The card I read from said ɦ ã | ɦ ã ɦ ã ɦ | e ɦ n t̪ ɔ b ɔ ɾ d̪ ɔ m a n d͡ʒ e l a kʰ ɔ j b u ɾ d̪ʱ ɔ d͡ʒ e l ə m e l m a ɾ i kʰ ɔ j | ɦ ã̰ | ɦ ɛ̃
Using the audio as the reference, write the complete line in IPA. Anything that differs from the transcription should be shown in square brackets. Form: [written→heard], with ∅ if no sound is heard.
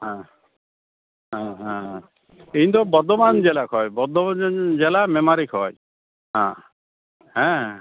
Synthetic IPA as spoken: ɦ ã | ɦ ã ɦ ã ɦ | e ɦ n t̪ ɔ b ɔ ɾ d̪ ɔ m a n d͡ʒ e l a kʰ ɔ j b [u→ɔ] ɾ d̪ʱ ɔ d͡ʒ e l [ə→a] m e [l→∅] m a ɾ i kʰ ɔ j | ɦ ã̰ | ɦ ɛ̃